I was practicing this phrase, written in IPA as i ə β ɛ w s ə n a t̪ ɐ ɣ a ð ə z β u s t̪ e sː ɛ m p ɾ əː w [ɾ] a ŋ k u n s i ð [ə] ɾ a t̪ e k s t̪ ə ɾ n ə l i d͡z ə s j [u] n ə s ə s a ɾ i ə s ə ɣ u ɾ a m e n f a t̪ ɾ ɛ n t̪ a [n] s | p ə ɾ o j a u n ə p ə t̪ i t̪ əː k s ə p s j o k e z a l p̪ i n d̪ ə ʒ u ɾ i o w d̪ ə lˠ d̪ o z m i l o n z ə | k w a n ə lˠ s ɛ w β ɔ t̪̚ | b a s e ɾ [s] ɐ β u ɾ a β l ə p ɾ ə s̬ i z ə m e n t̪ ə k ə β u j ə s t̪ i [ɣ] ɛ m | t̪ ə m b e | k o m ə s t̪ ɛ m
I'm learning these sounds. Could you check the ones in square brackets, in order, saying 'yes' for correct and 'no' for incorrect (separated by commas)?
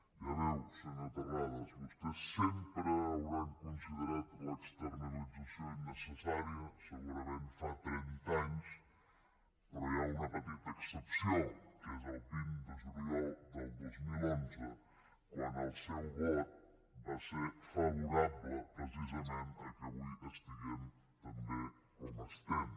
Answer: yes, yes, no, no, no, yes